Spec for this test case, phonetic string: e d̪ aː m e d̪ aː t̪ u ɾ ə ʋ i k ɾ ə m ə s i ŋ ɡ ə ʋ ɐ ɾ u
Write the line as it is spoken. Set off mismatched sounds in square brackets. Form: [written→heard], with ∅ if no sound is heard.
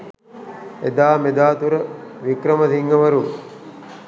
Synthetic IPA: e d̪ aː m e d̪ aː t̪ u ɾ ə ʋ i k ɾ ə m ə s i ŋ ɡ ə ʋ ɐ ɾ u

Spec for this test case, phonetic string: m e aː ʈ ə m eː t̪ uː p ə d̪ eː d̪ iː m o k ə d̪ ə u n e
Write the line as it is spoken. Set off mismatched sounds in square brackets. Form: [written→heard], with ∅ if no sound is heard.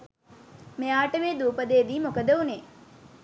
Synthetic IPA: m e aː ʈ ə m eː [t̪→d̪] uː p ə d̪ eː d̪ iː m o k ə d̪ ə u n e

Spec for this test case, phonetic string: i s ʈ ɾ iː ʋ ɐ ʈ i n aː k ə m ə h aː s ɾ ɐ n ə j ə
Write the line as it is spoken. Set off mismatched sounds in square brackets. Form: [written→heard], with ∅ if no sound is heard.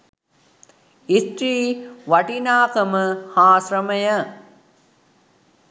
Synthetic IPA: i s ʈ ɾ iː ʋ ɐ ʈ i n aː k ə m ə h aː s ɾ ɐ [n→m] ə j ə

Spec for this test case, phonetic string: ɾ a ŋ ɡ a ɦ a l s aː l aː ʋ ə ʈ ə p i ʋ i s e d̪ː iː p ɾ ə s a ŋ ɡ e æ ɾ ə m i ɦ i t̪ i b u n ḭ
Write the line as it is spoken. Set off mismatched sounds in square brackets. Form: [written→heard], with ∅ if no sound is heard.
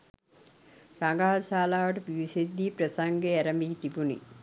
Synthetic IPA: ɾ a ŋ ɡ a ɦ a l s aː l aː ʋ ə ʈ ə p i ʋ i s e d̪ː iː p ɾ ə s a ŋ ɡ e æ ɾ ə m i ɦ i t̪ i b u n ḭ

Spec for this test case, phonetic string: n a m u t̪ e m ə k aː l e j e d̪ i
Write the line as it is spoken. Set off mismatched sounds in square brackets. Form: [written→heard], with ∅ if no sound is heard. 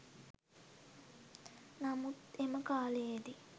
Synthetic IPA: n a m u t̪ e m ə k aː l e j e d̪ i

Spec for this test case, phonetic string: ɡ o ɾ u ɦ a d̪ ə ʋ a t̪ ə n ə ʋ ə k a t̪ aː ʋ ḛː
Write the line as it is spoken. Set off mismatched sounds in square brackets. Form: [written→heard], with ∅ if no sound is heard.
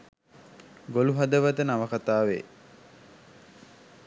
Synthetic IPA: ɡ o [ɾ→l] u ɦ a d̪ ə ʋ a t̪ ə n [ə→a] ʋ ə k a t̪ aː ʋ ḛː

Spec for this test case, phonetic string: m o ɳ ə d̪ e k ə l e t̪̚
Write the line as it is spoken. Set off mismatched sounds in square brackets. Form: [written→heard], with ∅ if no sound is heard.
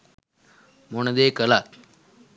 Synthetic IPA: m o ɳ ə d̪ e k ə l [e→a] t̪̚

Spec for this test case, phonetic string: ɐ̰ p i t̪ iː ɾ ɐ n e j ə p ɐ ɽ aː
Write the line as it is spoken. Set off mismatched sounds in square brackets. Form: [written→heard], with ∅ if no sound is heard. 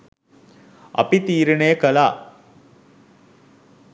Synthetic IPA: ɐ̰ p i t̪ iː ɾ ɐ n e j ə [p→k] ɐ [ɽ→l] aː

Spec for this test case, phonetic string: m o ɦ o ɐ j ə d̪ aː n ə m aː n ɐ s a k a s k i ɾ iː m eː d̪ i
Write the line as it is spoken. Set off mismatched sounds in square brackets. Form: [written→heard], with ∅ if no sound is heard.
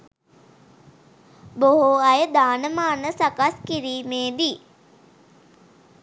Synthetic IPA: [m→b] o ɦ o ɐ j ə d̪ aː n ə m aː n [ɐ→ə] s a k a s k i ɾ iː m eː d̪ i

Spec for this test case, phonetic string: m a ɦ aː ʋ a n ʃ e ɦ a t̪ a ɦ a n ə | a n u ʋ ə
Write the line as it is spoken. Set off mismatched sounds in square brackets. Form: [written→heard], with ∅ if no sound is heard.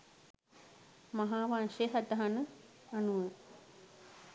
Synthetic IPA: m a ɦ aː ʋ a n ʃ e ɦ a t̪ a ɦ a n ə | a n u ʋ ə

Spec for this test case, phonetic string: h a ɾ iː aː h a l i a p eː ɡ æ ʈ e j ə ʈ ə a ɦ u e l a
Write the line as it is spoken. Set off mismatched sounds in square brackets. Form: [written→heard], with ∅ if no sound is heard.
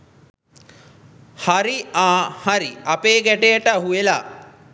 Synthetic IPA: h a ɾ [iː→i] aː h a [l→ɾ] i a p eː ɡ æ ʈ e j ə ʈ ə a ɦ u e l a

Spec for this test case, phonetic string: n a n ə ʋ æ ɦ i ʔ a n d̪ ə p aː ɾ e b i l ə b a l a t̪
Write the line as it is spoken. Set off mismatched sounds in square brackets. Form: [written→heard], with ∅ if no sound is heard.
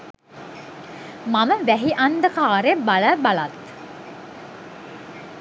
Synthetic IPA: [n→m] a [n→m] ə ʋ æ ɦ i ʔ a n d̪ ə [p→k] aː ɾ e b [i→a] l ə b a l a t̪

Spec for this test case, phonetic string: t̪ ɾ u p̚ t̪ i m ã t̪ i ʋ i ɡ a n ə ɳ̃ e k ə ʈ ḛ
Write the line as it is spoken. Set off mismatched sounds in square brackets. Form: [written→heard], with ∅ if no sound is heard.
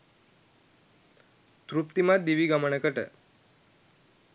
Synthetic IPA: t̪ ɾ u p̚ t̪ i m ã [t̪→d̪] i ʋ i ɡ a [n→m] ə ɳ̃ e k ə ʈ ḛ

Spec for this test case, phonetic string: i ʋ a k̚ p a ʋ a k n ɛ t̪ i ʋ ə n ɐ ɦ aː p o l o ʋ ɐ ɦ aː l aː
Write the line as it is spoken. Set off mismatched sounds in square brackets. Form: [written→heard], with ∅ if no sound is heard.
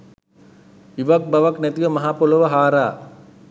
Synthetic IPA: i ʋ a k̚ [p→b] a ʋ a k n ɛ t̪ i ʋ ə [n→m] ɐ ɦ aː p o l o ʋ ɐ ɦ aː [l→ɾ] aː

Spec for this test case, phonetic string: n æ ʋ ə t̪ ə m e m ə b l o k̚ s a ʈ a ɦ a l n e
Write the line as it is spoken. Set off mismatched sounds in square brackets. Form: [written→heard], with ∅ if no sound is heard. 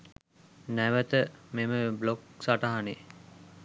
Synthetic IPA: n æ ʋ ə t̪ ə m e m ə b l o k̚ s a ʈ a ɦ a [l→∅] n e

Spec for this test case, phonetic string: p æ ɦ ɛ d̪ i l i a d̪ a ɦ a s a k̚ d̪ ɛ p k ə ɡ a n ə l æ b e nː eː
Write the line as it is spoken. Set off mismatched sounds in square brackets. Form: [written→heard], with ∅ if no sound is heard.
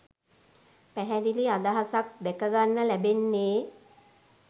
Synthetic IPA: p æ ɦ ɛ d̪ i l i a d̪ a ɦ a s a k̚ d̪ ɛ [p→∅] k ə ɡ a [n→nː] ə l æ b e nː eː

